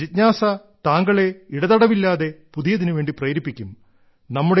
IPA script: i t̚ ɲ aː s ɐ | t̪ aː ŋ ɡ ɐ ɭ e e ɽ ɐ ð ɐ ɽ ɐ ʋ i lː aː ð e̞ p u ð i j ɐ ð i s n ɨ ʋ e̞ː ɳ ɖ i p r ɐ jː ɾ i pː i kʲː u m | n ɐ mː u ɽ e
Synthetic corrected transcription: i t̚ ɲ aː s ɐ | t̪ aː ŋ ɡ ɐ ɭ e i ɽ ɐ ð ɐ ɽ ɐ ʋ i lː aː ð e̞ p u ð i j ɐ ð i n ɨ ʋ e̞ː ɳ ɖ i p r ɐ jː ɾ i pː i kʲː u m | n ɐ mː u ɽ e

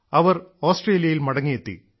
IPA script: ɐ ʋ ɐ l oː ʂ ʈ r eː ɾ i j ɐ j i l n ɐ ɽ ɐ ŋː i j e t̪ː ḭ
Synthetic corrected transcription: ɐ ʋ ɐ r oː s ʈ r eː l i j ɐ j i l m ɐ ɽ ɐ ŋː i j e t̪ː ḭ

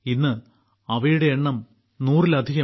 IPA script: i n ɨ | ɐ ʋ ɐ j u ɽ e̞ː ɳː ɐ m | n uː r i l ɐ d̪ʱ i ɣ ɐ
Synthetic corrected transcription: i nː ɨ | ɐ ʋ ɐ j u ɽ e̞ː ɳː ɐ m | n uː r i l ɐ d̪ʱ i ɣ ɐ

